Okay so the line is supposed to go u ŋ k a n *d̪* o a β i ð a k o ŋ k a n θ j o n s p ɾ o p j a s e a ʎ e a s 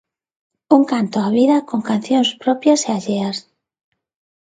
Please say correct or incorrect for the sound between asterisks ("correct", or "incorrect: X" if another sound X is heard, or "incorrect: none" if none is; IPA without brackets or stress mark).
incorrect: t̪